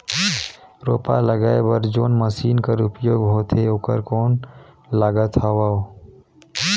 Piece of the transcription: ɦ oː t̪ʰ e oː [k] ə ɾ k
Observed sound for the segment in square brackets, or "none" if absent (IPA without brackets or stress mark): k